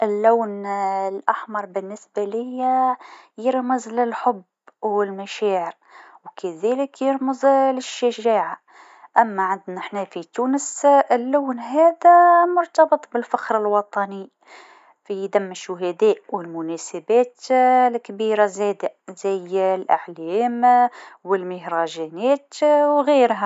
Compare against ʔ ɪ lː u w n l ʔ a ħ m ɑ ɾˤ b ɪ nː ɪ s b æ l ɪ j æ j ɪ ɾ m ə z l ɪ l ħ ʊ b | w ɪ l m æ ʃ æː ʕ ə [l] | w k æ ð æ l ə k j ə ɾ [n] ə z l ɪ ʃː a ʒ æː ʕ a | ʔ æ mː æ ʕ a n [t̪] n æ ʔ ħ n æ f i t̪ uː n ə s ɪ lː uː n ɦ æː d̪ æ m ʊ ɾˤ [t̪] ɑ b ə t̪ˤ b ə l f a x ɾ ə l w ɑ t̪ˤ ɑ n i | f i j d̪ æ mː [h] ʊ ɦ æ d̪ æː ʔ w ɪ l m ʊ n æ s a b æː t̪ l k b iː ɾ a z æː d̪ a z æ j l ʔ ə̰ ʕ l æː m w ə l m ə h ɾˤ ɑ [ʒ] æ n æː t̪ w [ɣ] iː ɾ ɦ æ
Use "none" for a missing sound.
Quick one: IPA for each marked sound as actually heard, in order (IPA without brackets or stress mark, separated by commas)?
ɾ, m, d̪, t̪, ʃ, ʒ, ɣ